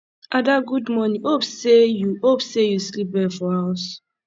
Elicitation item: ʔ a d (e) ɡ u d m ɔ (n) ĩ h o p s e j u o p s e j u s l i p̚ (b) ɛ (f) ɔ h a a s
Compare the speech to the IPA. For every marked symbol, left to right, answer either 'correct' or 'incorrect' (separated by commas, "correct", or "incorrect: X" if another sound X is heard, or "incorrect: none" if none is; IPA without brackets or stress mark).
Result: incorrect: a, correct, correct, correct